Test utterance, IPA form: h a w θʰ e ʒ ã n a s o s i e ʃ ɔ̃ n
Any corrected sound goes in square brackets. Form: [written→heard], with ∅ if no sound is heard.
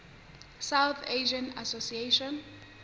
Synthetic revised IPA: [h→s] a w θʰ e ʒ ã n a s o s i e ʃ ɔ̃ n